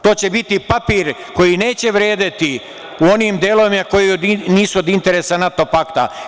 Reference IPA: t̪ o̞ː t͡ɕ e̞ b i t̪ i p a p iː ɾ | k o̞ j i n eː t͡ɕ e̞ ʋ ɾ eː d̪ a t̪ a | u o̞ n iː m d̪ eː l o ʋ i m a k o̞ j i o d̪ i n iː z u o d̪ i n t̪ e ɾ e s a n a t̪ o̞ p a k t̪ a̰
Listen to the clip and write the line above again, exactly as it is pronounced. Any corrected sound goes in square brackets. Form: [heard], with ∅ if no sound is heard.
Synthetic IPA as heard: t̪ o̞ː t͡ɕ e̞ b i t̪ i p a p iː ɾ | k o̞ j i n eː t͡ɕ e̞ ʋ ɾ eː d̪ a t̪ [i] | u o̞ n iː m d̪ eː l o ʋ i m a k o̞ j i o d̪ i n iː [s] u o d̪ i n t̪ e ɾ e s a n a t̪ o̞ p a k t̪ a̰